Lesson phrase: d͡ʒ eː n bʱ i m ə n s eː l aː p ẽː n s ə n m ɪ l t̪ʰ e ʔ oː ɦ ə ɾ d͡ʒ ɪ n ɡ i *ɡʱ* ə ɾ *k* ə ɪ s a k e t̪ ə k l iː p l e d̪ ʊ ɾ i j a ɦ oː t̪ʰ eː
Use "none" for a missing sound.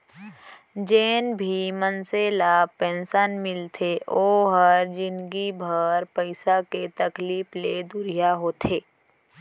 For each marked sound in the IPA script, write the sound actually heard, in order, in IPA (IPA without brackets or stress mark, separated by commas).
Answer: bʱ, p